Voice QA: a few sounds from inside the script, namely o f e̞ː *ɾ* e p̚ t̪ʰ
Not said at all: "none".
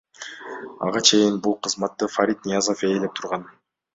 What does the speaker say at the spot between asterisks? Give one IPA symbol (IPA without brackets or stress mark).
l